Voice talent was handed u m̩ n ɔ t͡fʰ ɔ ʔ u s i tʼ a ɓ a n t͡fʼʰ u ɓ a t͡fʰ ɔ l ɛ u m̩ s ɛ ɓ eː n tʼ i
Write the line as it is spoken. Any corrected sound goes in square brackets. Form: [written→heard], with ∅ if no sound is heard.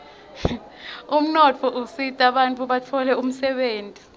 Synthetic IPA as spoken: u m̩ n ɔ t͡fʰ ɔ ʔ u s i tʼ a ɓ a n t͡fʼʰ u ɓ a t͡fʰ ɔ l ɛ u m̩ s ɛ ɓ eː n tʼ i